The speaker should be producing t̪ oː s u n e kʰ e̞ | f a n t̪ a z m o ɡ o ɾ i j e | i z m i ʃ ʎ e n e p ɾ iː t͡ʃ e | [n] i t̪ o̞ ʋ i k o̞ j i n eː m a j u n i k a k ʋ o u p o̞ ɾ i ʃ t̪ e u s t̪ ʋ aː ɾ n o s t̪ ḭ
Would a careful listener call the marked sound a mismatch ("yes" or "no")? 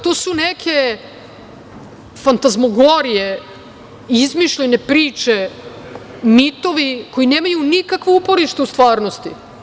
yes